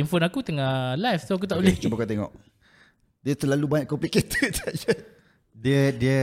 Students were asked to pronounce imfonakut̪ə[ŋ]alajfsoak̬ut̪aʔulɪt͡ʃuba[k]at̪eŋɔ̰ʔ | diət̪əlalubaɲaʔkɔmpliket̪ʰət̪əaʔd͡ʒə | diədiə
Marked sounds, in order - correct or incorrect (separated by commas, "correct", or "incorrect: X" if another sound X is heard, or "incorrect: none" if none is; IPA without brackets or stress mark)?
correct, correct